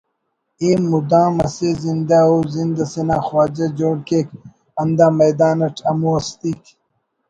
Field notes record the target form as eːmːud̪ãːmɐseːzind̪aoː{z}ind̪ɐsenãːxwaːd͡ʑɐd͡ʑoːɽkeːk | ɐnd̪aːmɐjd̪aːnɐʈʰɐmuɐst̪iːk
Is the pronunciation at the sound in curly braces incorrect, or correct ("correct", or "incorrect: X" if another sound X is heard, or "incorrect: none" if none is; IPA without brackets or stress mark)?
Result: correct